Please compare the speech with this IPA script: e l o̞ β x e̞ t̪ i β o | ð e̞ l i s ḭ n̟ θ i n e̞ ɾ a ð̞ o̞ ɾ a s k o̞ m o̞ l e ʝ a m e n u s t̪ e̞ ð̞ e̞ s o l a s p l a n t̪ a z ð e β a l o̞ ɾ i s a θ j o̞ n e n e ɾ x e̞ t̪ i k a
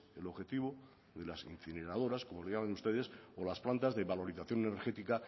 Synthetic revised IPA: e l o̞ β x e̞ t̪ i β o | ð e̞ l a s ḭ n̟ θ i n e̞ ɾ a ð̞ o̞ ɾ a s k o̞ m o̞ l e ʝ a m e n u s t̪ e̞ ð̞ e̞ s o l a s p l a n t̪ a z ð e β a l o̞ ɾ i θ a θ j o̞ n e n e ɾ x e̞ t̪ i k a